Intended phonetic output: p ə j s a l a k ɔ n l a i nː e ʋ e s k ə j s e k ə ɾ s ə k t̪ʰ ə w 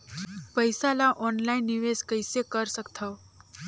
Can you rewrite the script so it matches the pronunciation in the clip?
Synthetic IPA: p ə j s a l a ʔ ɔ n l a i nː i ʋ e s k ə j s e k ə ɾ s ə k t̪ʰ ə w